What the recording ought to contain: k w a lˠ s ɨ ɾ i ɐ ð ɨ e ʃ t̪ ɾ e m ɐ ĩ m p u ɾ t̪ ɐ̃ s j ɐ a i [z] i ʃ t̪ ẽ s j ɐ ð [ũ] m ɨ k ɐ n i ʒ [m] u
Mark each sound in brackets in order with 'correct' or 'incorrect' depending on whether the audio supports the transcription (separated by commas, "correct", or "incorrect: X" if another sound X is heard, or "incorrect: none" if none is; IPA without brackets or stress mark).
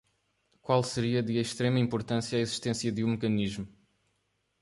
correct, correct, correct